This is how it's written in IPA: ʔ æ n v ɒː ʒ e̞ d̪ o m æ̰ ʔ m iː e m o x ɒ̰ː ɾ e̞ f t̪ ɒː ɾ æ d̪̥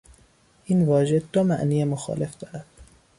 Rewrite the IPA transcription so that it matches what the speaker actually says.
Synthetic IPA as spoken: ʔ i n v ɒː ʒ e̞ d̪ o m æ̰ ʔ n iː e m o x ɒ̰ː l e̞ f d̪ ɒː ɾ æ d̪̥